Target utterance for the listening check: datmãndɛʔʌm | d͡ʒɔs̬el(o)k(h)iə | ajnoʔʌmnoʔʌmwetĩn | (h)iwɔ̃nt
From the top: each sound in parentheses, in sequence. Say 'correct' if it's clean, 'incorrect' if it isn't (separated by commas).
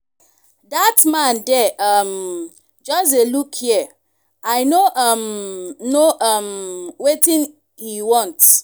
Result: incorrect, correct, correct